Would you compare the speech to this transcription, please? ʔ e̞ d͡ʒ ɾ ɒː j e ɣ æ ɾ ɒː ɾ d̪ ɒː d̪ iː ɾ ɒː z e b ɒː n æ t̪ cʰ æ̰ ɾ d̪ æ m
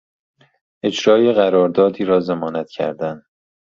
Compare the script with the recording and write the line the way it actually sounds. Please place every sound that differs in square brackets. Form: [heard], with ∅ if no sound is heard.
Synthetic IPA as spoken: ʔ e̞ d͡ʒ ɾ ɒː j e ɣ æ ɾ ɒː ɾ d̪ ɒː d̪ iː ɾ ɒː z e [m] ɒː n æ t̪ cʰ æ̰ ɾ d̪ æ [n]

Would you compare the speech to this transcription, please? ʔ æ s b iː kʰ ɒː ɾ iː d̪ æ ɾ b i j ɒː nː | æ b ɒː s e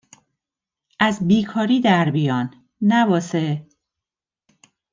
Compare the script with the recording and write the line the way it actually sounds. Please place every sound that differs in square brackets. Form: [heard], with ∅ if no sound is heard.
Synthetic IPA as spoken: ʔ æ [z] b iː kʰ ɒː ɾ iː d̪ æ ɾ b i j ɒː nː | æ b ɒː s e

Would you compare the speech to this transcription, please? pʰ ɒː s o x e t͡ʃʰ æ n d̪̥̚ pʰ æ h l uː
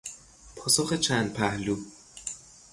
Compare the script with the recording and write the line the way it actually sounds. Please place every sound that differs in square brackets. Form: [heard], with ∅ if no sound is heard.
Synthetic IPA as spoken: pʰ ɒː s o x e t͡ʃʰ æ n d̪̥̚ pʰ æ h l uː

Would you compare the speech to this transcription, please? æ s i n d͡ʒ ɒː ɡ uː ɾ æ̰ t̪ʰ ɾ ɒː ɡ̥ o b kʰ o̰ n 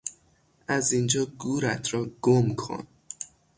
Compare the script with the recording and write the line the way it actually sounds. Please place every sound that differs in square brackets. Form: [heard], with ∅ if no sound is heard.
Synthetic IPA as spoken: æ [z] i n d͡ʒ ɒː ɡ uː ɾ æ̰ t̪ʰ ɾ ɒː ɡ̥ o [m] kʰ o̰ n

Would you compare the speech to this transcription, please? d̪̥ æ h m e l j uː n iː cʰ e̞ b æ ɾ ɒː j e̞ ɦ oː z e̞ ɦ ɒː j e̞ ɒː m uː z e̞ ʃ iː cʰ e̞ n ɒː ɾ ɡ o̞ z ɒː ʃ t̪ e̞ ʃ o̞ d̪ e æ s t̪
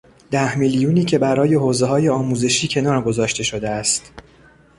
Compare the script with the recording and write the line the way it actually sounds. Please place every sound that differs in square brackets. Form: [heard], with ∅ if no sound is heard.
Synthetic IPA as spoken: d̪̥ æ h m [i] l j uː n iː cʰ e̞ b æ ɾ ɒː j e̞ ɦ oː z e̞ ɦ ɒː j e̞ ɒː m uː z e̞ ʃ iː cʰ e̞ n ɒː ɾ ɡ o̞ z ɒː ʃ t̪ e̞ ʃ o̞ d̪ e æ s t̪

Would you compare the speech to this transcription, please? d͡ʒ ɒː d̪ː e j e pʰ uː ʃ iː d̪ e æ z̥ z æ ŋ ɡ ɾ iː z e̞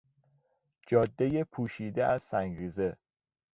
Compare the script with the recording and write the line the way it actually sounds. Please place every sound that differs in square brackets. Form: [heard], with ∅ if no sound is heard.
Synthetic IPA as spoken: d͡ʒ ɒː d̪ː e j e pʰ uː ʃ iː d̪ e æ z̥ [s] æ ŋ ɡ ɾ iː z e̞

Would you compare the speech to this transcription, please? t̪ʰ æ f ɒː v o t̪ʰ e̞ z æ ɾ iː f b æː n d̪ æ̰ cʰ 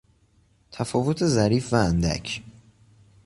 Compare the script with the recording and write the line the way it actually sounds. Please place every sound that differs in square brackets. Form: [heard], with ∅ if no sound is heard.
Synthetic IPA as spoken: t̪ʰ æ f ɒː v o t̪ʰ e̞ z æ ɾ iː f [v] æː n d̪ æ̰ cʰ

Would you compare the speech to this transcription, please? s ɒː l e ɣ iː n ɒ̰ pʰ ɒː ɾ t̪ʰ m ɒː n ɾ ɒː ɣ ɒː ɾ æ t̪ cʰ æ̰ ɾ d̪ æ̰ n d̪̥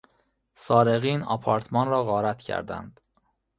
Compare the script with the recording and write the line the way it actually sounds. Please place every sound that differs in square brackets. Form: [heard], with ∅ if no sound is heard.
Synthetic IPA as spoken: s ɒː [ɾ] e ɣ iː n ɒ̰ pʰ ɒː ɾ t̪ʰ m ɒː n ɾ ɒː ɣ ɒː ɾ æ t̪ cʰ æ̰ ɾ d̪ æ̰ n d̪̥

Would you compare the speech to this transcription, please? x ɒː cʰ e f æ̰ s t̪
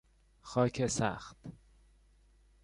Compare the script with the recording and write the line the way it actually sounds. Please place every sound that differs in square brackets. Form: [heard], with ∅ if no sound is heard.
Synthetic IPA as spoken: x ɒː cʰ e [s] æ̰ [x] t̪

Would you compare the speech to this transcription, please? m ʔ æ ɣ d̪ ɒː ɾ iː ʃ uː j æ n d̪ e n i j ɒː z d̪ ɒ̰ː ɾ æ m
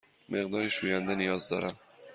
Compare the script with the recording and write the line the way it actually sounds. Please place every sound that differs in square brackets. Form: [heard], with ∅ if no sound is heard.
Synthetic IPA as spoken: m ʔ [e] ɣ d̪ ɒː ɾ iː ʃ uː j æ n d̪ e n i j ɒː z d̪ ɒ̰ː ɾ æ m

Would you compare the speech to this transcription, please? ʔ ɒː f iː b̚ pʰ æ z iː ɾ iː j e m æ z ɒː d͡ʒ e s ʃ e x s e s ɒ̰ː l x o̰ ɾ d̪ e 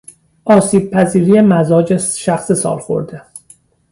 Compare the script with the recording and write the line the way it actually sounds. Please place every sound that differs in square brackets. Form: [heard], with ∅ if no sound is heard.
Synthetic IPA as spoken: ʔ ɒː [s] iː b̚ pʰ æ z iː ɾ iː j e m æ z ɒː d͡ʒ e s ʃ [æ] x s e s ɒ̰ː l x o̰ ɾ d̪ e

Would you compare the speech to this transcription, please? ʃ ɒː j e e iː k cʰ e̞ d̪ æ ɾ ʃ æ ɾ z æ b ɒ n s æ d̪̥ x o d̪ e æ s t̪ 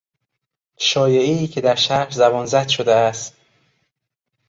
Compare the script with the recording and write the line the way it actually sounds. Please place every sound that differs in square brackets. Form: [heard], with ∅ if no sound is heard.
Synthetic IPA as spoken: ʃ ɒː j e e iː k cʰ e̞ d̪ æ ɾ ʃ æ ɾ z æ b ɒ n [z] æ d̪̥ [ʃ] o d̪ e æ s t̪

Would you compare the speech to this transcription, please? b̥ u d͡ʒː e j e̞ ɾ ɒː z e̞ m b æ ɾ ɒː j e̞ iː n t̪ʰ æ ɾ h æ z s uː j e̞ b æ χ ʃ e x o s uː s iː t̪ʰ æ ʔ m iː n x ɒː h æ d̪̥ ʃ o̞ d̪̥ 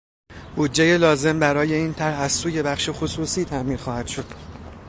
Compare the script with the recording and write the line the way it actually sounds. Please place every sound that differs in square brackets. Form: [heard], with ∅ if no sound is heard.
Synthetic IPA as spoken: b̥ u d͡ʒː e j e̞ [l] ɒː z e̞ m b æ ɾ ɒː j e̞ iː n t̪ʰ æ ɾ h æ z s uː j e̞ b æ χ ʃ e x o s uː s iː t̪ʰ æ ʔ m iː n x ɒː h æ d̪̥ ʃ o̞ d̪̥

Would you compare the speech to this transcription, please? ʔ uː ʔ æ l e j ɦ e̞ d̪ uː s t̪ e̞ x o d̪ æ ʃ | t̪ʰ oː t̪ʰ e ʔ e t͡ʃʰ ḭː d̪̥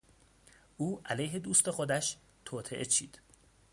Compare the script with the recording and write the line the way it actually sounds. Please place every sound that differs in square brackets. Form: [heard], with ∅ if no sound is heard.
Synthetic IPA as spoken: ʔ uː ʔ æ l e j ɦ e̞ d̪ uː s t̪ e̞ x o d̪ æ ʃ | t̪ʰ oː t̪ʰ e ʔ e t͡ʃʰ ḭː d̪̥

